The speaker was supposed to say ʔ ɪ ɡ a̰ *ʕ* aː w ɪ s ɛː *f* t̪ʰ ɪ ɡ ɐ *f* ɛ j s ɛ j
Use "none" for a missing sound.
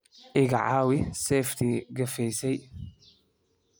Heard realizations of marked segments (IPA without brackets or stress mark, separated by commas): ʕ, f, f